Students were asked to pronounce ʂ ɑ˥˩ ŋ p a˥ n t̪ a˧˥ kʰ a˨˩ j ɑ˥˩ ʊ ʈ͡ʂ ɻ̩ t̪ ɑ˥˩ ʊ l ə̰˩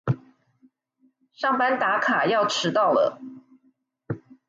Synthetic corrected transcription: ʂ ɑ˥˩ ŋ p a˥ n t̪ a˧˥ kʰ a˨˩ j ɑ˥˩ ʊ ʈ͡ʂʰ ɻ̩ t̪ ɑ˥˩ ʊ l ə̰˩

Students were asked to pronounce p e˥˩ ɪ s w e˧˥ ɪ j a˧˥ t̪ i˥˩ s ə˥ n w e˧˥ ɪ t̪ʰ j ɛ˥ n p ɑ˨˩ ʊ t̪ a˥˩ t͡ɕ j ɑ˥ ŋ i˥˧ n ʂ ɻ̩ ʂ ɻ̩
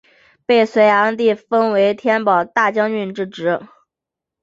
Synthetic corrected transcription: p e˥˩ ɪ s w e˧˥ ɪ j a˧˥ t̪ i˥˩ f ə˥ n w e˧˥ ɪ t̪ʰ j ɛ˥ n p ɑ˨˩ ʊ t̪ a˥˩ t͡ɕ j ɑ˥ ŋ y˥˧ n ʈ͡ʂ ɻ̩ ʈ͡ʂ ɻ̩

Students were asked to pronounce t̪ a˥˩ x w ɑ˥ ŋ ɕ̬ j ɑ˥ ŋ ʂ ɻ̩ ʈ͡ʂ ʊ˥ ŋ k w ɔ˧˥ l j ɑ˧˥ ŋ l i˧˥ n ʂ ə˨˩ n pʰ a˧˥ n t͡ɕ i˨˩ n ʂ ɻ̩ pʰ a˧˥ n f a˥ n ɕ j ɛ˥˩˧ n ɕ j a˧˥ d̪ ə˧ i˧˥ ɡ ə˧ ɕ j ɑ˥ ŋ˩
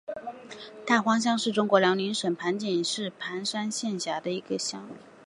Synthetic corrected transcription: t̪ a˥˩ x w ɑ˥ ŋ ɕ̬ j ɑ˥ ŋ ʂ ɻ̩ ʈ͡ʂ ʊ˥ ŋ k w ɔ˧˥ l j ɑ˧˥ ŋ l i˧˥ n ʂ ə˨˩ n pʰ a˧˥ n t͡ɕ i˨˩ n ʂ ɻ̩ pʰ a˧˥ n ʂ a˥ n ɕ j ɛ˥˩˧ n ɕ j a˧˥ d̪ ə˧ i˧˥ ɡ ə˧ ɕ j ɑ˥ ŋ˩

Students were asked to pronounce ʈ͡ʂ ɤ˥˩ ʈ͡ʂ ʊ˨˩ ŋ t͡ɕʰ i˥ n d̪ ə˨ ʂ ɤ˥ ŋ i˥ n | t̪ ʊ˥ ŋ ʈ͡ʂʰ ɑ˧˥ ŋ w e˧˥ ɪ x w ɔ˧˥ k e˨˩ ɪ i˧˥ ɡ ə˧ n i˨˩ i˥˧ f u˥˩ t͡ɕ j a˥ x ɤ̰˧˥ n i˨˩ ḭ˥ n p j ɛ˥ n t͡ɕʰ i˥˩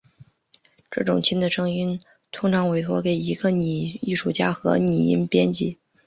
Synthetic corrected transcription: ʈ͡ʂ ɤ˥˩ ʈ͡ʂ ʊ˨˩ ŋ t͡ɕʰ i˥ n d̪ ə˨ ʂ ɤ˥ ŋ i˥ n | t̪ʰ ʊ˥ ŋ ʈ͡ʂʰ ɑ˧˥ ŋ w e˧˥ ɪ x w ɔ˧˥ k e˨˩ ɪ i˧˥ ɡ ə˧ n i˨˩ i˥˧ ʂ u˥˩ t͡ɕ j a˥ x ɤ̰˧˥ n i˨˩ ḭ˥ n p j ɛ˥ n t͡ɕ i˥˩

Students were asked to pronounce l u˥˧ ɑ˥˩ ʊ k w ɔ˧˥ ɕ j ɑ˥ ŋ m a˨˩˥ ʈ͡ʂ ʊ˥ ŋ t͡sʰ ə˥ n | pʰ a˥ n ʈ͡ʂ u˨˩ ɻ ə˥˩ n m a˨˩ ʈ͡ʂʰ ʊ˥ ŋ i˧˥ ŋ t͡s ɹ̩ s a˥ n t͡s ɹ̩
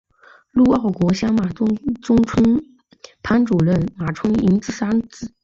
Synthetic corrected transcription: l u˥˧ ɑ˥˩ ʊ k w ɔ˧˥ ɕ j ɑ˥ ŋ m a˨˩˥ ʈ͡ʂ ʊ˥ ŋ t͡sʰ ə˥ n | pʰ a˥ n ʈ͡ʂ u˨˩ ɻ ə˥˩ n m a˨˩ ʈ͡ʂʰ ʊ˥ ŋ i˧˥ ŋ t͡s ɹ̩ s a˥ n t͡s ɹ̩

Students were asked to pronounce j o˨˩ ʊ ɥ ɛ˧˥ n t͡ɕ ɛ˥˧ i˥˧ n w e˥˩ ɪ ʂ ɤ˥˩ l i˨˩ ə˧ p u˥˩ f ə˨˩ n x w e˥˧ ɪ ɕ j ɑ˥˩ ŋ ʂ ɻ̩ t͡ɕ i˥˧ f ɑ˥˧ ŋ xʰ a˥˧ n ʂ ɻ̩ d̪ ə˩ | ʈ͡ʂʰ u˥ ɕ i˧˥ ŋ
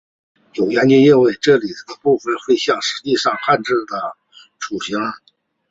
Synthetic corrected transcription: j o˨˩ ʊ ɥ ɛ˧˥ n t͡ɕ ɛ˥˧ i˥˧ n w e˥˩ ɪ ʈ͡ʂ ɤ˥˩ l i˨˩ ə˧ p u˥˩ f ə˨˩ n x w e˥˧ ɪ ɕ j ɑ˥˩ ŋ ʂ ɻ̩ t͡ɕ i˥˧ ʂ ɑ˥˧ ŋ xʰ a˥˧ n ʈ͡ʂ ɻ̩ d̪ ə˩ | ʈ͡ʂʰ u˨˩ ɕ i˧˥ ŋ

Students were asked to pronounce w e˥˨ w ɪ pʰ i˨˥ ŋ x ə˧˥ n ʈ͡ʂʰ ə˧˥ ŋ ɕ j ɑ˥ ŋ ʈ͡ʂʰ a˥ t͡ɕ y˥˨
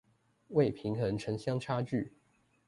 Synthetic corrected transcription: w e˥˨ ɪ pʰ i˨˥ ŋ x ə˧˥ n ʈ͡ʂʰ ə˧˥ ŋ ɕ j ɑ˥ ŋ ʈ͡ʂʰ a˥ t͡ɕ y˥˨

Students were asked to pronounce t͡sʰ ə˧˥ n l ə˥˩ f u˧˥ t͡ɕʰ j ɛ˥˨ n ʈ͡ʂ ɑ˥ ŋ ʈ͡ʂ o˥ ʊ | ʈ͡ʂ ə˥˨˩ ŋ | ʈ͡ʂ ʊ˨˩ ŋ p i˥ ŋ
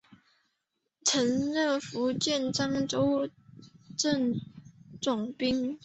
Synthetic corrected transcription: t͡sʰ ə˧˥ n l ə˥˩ f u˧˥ t͡ɕ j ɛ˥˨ n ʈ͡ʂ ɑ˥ ŋ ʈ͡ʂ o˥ ʊ | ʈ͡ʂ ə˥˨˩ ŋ | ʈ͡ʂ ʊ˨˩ ŋ p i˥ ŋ

